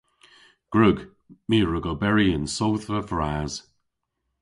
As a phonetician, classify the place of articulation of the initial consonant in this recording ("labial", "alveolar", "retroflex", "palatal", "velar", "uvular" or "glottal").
velar